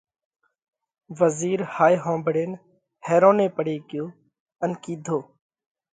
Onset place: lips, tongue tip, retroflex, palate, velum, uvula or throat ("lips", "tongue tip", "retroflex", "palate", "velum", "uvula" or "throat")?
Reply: lips